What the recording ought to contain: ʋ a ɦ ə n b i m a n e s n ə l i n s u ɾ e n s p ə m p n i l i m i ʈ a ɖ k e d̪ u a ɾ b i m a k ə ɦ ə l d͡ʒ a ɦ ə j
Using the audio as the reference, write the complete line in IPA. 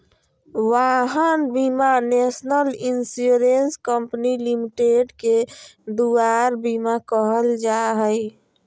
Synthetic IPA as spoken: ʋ a ɦ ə n b i m a n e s n ə l i n s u ɾ e n s k ə m p n i l i m i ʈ e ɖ k e d̪ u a ɾ b i m a k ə ɦ ə l d͡ʒ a ɦ ə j